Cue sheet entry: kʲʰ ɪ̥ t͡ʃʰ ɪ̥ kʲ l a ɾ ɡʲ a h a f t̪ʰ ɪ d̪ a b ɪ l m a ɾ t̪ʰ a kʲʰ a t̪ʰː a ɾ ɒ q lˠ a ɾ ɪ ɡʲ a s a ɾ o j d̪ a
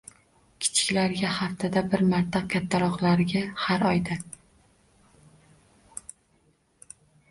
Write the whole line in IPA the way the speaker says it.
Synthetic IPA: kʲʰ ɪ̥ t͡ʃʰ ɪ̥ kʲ l a ɾ ɡʲ a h a f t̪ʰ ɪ d̪ a b ɪ ɾ m a ɾ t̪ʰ a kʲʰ a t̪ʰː a ɾ ɒ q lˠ a ɾ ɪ ɡʲ a h a ɾ ɒ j d̪ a